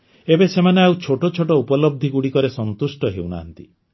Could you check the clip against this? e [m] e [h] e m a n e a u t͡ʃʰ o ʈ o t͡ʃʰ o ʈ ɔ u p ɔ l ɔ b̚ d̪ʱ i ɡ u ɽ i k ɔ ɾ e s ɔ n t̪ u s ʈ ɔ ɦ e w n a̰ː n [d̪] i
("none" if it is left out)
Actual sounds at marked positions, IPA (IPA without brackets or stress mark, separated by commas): b, s, t̪